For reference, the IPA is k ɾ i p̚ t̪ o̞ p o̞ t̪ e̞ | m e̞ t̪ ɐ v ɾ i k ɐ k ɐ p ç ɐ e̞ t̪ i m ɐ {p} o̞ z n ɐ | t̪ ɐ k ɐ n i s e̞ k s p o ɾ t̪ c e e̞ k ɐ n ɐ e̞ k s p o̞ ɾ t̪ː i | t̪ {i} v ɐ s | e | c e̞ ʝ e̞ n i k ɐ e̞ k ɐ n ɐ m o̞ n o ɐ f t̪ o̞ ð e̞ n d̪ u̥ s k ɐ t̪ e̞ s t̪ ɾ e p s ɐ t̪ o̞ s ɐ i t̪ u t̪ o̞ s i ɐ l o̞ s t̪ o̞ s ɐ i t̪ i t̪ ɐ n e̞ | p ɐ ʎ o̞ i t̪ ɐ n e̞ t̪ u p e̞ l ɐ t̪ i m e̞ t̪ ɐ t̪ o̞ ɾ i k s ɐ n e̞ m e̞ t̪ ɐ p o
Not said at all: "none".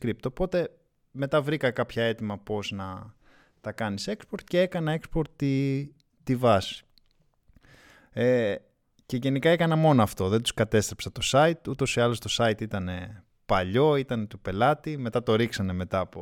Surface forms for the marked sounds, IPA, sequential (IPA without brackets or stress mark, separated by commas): p, i